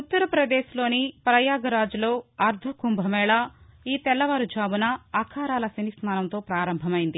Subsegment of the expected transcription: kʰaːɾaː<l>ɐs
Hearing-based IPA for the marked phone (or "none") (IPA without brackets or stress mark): l